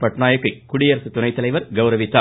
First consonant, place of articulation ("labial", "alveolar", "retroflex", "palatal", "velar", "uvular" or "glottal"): labial